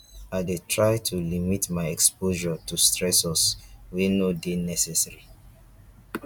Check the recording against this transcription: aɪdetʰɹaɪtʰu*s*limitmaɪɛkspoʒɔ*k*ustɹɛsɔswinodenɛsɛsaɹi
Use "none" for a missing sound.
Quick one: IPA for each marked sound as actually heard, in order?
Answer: none, t

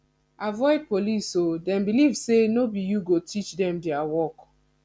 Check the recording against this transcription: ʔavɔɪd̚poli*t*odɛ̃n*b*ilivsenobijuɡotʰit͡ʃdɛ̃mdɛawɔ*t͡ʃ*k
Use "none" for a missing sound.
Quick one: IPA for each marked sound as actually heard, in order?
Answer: s, b, none

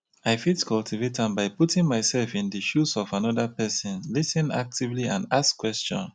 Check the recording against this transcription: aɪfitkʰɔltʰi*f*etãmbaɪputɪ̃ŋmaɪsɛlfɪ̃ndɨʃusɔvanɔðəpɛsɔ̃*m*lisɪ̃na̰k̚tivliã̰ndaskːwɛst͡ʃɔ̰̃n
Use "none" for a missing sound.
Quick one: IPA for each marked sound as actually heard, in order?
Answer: v, n

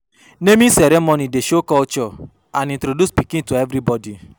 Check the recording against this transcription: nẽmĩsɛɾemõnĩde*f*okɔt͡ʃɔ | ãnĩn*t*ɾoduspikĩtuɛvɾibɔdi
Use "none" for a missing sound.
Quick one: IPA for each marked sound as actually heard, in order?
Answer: ʃ, t

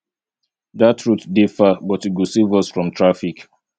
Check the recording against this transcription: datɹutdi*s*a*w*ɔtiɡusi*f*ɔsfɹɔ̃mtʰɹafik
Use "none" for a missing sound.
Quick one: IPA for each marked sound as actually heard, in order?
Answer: f, b, v

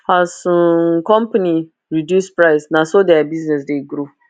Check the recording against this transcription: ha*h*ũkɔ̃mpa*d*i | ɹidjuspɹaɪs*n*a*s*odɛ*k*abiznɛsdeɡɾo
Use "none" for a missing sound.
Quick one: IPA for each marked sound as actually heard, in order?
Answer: s, n, n, s, none

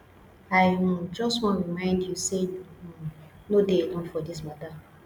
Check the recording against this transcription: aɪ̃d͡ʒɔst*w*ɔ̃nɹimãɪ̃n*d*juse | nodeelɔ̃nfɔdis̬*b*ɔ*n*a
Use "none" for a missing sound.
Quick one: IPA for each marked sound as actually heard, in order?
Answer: w, d, m, d

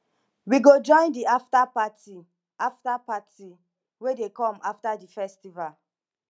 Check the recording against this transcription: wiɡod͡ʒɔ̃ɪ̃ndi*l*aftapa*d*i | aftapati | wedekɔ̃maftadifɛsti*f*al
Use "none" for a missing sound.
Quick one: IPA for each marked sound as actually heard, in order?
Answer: none, t, v

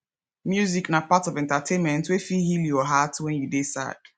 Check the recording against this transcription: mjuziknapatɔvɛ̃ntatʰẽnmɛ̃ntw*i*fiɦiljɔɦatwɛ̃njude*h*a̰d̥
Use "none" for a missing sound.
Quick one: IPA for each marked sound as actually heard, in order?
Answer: e, s

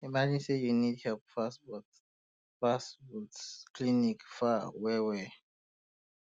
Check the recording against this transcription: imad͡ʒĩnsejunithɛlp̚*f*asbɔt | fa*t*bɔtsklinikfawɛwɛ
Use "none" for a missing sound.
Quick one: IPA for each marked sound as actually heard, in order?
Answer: f, s

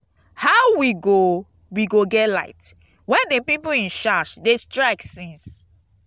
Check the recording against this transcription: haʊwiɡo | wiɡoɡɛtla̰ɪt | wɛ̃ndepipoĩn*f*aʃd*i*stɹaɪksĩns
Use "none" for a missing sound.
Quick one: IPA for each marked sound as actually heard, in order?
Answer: ʃ, e

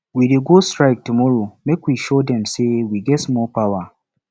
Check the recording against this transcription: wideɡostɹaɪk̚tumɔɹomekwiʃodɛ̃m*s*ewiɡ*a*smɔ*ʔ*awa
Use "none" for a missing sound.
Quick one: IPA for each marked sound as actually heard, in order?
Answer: s, ɛ, p

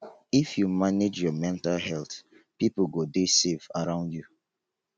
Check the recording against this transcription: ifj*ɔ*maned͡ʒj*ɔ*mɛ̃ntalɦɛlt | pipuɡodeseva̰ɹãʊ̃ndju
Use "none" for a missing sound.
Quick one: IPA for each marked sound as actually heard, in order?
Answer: u, ɔ

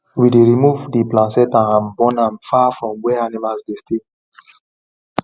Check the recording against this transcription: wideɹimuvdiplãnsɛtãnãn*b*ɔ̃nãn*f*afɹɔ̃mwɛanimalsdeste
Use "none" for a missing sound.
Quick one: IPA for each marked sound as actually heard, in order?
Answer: b, f

